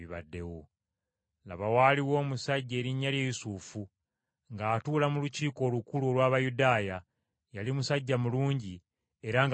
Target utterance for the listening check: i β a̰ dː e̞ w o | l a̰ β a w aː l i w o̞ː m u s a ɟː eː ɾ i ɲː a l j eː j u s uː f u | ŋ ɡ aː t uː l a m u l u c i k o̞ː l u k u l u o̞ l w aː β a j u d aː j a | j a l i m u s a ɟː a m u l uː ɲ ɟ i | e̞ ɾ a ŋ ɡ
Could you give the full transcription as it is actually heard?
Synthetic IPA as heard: i β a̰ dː e̞ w o | l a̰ β a w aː l i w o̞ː m u s a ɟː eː ɾ i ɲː a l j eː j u s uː f u | ŋ ɡ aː t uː l a m u l u c iː k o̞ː l u k u l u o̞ l w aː β a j u d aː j a | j a l i m u s a ɟː a m u l uː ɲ ɟ i | e̞ ɾ a ŋ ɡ